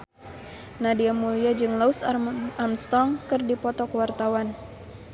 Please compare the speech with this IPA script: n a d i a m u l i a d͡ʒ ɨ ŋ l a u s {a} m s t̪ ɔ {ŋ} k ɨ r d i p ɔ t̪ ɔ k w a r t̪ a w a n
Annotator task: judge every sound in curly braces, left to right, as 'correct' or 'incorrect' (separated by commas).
correct, correct